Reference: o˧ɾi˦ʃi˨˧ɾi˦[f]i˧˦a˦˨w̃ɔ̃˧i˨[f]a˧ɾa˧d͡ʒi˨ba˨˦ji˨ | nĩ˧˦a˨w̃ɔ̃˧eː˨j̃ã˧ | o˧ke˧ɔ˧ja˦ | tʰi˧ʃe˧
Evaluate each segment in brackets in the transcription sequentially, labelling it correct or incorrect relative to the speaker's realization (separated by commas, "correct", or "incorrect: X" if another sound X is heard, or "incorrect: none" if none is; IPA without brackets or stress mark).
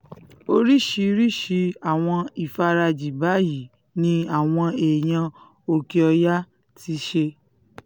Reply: incorrect: ʃ, correct